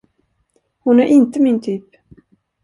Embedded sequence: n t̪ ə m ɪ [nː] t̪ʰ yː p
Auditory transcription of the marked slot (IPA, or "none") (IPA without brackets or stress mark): n